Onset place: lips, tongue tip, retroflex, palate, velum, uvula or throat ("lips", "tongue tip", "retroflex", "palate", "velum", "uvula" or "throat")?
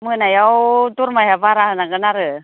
lips